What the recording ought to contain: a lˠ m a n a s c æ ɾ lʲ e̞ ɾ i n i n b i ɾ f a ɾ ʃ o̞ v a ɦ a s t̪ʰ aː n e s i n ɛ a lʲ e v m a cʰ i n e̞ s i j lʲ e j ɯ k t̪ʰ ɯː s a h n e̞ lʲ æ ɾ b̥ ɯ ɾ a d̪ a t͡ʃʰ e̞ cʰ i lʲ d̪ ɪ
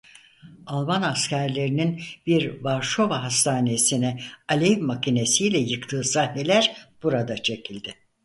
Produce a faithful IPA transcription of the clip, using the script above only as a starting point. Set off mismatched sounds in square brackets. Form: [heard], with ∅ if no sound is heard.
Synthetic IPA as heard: a lˠ m a n a s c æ ɾ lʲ e̞ ɾ i n i n b i ɾ [v] a ɾ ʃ o̞ v a ɦ a s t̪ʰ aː n e s i n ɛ a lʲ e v m a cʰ i n e̞ s i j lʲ [ɛ] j ɯ k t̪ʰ ɯː s a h n e̞ lʲ æ ɾ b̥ [u] ɾ a d̪ a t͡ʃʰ e̞ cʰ i lʲ d̪ ɪ